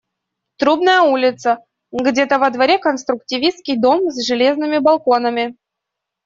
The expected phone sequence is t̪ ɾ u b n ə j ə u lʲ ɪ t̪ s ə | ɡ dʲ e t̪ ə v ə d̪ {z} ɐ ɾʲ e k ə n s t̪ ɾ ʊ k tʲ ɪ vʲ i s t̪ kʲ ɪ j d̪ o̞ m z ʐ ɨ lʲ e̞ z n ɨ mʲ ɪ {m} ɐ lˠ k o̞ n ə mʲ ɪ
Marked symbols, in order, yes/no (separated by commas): no, no